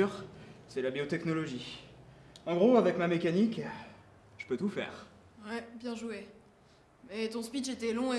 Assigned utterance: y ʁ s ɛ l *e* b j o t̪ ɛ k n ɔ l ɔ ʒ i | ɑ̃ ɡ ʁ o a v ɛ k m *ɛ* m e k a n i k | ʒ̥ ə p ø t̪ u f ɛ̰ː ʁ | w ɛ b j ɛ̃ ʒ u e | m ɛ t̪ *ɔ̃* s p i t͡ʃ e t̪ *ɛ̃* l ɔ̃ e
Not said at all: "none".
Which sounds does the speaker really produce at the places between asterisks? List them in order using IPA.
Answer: a, a, ɔ̃, ɛ

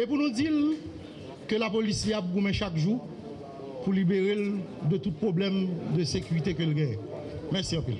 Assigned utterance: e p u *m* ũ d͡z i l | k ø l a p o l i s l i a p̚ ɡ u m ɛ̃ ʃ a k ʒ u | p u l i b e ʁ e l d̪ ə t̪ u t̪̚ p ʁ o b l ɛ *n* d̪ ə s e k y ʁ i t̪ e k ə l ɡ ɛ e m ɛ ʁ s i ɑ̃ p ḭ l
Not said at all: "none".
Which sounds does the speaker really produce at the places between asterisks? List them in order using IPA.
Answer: n, m

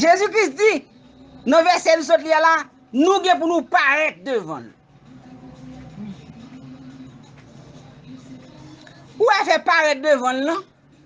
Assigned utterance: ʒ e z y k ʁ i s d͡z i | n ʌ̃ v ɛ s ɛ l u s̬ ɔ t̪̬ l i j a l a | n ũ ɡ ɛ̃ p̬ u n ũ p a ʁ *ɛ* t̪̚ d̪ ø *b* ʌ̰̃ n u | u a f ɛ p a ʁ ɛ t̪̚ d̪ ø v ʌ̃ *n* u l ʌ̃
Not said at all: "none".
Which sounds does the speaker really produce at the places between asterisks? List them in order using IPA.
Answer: ɛ, v, n

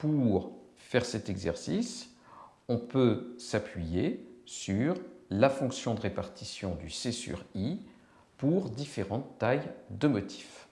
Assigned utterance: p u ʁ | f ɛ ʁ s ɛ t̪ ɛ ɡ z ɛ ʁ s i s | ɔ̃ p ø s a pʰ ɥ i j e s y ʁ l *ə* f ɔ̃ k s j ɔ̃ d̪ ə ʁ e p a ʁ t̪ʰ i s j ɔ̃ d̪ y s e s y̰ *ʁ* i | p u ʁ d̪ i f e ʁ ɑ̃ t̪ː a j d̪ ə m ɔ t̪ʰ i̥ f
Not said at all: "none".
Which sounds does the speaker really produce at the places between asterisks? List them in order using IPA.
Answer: a, ʁ

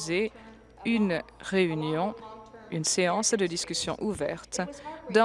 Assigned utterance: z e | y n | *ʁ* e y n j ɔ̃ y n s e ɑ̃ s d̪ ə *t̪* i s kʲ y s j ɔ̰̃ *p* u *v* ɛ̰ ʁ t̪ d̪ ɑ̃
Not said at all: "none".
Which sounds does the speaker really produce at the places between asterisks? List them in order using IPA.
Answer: ʁ, d̪, ʔ, v

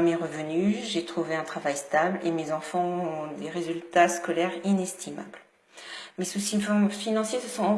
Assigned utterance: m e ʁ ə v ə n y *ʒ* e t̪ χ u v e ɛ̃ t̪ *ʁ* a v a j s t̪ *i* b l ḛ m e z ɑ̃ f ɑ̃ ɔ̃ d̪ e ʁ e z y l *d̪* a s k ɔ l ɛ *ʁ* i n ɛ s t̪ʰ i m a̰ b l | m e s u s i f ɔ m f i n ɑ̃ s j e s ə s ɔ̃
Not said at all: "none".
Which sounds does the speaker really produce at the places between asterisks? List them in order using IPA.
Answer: ʒ, χ, a, t̪, ʁ

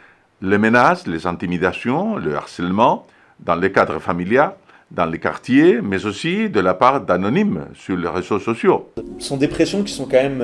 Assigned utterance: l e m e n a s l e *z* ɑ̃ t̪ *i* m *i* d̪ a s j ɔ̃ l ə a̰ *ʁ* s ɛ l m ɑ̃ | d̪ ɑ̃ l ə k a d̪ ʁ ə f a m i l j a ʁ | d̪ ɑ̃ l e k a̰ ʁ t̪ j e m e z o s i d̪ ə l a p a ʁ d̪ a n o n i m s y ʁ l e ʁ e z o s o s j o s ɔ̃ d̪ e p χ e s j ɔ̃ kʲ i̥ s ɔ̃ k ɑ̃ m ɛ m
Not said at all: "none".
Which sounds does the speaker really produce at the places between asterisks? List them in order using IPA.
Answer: z, i, i, ʁ

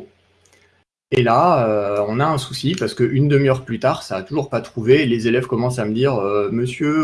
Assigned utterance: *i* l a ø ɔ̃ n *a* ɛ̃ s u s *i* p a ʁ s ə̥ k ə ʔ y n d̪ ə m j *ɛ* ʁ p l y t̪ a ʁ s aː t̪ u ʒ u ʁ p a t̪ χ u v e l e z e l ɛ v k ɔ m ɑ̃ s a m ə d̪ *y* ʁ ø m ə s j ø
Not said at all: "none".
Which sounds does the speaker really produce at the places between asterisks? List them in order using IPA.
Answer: e, a, i, œ, i

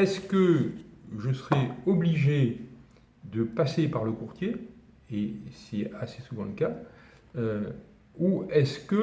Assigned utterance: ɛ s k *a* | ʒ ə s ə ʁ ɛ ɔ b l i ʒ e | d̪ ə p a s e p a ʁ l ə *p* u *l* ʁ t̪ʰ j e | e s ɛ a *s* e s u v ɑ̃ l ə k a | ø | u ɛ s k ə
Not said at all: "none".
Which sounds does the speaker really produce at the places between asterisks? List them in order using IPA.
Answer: ə, k, none, s

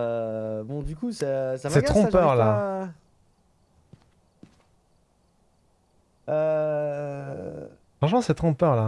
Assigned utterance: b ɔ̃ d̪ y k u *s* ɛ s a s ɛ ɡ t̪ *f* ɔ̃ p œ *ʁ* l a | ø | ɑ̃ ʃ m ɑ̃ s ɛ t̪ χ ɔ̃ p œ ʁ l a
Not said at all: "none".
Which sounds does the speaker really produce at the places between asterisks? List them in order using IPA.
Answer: s, χ, ʁ

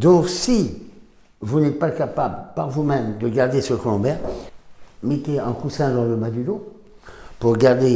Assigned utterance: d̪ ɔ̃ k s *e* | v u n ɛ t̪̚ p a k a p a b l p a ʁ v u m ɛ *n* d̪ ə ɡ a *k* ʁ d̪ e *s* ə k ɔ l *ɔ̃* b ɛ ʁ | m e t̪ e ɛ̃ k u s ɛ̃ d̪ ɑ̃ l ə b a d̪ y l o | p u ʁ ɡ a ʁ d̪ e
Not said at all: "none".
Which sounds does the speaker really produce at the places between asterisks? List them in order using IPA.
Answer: i, m, none, s, ɔ̃

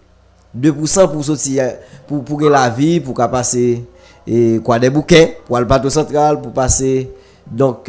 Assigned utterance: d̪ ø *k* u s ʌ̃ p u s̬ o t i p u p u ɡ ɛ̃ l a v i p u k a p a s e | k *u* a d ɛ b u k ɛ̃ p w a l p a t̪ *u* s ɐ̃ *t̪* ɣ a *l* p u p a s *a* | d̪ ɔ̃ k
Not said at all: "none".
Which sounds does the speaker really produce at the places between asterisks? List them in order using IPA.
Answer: p, w, o, t̪, l, e

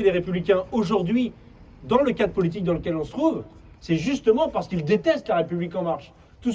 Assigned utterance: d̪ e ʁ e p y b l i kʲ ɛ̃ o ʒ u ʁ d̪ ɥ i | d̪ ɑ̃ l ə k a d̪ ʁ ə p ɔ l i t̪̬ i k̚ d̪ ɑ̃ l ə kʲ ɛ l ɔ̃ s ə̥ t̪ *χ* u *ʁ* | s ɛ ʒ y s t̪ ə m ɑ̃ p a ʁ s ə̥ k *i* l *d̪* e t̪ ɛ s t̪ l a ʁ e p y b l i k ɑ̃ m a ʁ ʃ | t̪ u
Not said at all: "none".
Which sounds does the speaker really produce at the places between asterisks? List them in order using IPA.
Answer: χ, v, i, d̪

